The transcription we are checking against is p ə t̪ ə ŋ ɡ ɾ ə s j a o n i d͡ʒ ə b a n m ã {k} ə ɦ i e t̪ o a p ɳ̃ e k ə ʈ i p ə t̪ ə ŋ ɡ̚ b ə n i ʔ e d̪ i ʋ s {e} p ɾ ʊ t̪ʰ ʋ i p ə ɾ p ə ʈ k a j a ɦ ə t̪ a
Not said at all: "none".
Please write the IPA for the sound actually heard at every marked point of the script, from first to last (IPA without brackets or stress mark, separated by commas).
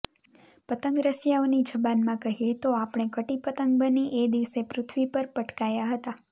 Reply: k, e